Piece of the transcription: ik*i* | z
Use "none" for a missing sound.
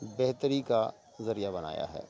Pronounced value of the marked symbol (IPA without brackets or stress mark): a